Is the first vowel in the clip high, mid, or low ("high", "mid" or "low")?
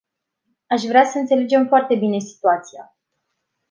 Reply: low